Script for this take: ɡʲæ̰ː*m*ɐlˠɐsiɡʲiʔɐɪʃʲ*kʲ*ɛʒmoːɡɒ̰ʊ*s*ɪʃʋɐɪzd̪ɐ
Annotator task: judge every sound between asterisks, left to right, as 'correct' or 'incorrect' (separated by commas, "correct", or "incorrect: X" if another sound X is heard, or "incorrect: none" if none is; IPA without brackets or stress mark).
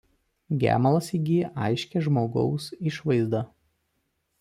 correct, correct, correct